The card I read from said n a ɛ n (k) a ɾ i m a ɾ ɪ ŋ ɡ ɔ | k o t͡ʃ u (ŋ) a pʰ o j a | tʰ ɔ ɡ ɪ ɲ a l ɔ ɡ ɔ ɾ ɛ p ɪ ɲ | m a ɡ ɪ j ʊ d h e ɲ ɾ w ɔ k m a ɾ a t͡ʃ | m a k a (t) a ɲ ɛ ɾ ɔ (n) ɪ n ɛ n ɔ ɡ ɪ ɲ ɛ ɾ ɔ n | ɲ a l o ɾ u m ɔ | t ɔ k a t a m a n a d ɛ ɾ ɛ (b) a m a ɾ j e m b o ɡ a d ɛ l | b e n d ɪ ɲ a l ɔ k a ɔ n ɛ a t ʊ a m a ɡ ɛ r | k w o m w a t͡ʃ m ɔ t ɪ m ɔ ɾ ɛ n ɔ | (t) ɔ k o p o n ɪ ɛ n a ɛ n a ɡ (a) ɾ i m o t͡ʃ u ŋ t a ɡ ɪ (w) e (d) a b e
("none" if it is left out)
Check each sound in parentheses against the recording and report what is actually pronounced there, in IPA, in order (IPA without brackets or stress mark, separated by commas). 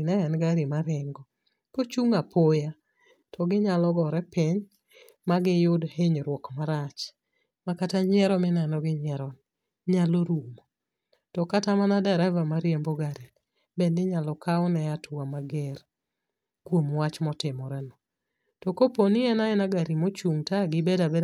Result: ɡ, ŋ, t, m, v, t, a, b, d